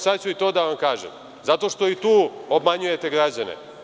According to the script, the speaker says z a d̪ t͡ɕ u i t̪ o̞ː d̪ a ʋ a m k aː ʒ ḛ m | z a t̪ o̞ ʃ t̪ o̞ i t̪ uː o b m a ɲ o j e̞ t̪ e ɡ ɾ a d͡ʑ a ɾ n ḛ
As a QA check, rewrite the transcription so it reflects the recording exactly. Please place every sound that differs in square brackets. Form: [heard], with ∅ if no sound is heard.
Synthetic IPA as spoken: [s] a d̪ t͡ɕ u i t̪ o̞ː d̪ a ʋ a m k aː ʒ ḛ m | z a t̪ o̞ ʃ t̪ o̞ i t̪ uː o b m a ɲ [u] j e̞ t̪ e ɡ ɾ a d͡ʑ a [∅] n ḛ